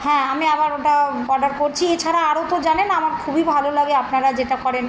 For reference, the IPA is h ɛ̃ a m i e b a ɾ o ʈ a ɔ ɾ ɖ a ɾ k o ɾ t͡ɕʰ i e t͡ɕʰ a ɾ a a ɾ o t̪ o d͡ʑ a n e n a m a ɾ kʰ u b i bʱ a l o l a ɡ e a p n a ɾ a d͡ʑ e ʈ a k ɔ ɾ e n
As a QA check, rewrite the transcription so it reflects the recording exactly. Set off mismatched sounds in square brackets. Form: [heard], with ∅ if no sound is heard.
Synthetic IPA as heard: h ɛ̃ a m i [a] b a ɾ o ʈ a ɔ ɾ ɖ a ɾ k o ɾ t͡ɕʰ i e t͡ɕʰ a ɾ a a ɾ o t̪ o d͡ʑ a n e n a m a ɾ kʰ u b i bʱ a l o l a ɡ e a p n a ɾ a d͡ʑ e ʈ a k ɔ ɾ e n